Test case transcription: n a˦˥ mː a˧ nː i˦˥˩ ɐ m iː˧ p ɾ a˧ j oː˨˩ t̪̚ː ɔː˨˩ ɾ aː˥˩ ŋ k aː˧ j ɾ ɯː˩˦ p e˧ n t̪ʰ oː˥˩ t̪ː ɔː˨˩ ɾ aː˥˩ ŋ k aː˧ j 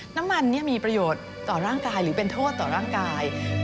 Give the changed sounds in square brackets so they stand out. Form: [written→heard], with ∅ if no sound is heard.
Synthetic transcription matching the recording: n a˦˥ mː a˧ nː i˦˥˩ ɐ m iː˧ p ɾ a˧ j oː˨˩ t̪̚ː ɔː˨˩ ɾ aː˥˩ ŋ k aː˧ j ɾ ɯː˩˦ p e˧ n t̪ʰ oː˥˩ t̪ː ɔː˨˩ ɾ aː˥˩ ŋ k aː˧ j